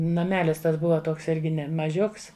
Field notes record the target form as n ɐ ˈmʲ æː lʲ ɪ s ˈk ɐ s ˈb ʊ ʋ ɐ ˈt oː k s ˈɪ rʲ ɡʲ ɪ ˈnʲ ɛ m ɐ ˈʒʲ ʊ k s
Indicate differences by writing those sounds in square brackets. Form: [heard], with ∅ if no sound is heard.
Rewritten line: n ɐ ˈmʲ æː lʲ ɪ s [ˈt] ɐ s ˈb ʊ ʋ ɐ ˈt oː k s ˈɪ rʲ ɡʲ ɪ ˈnʲ ɛ m ɐ ˈʒʲ ʊ k s